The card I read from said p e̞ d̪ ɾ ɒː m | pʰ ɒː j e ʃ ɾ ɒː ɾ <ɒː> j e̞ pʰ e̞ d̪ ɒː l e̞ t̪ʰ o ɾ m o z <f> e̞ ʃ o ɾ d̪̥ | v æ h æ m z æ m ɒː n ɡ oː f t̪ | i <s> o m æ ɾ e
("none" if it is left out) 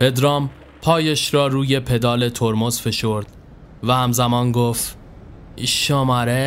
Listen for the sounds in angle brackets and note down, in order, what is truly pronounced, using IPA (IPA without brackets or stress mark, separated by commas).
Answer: uː, f, ʃ